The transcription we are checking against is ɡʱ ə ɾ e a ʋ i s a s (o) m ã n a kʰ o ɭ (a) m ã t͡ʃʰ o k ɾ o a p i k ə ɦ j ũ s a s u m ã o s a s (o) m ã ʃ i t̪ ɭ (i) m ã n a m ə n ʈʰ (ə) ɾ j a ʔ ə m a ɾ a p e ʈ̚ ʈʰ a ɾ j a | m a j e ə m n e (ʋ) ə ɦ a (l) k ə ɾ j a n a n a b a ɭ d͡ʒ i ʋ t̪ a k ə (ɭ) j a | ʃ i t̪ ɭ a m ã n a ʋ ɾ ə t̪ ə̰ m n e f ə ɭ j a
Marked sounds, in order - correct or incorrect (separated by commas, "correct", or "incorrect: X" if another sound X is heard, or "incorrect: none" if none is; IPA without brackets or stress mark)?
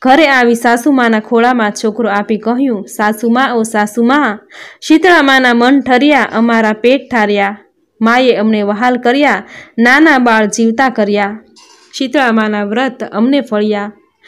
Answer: incorrect: u, correct, incorrect: u, incorrect: a, correct, correct, correct, incorrect: ɾ